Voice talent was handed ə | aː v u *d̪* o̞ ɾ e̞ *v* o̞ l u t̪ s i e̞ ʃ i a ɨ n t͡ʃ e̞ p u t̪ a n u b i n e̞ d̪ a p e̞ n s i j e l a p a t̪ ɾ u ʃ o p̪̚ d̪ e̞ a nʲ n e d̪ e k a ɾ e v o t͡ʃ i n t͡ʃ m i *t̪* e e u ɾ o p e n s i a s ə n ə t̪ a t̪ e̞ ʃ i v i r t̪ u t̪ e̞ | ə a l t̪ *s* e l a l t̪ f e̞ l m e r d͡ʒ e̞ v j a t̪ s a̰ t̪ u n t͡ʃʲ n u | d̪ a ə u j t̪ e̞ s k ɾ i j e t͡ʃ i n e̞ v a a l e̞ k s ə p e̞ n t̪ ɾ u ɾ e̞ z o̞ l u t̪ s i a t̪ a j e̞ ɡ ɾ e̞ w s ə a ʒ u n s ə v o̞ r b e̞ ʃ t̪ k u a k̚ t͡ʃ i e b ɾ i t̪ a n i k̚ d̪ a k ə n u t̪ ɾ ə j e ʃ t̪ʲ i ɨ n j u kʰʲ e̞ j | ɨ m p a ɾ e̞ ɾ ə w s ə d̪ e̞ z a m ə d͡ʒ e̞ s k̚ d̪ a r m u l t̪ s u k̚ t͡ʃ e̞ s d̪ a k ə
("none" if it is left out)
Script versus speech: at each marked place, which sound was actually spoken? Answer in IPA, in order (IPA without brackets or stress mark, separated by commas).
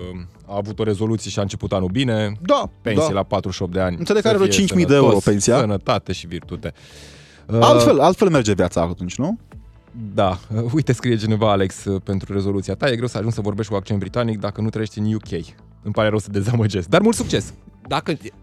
t̪, z, d̪, f